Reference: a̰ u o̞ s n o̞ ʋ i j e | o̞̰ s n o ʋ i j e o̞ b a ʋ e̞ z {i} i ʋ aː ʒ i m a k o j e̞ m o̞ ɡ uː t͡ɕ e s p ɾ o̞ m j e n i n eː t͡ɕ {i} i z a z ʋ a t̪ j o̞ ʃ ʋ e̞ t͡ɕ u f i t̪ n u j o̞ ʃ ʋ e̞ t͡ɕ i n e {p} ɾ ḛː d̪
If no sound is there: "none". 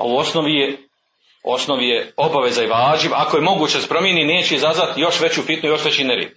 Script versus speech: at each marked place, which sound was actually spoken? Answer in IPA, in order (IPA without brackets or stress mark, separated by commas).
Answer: a, e, none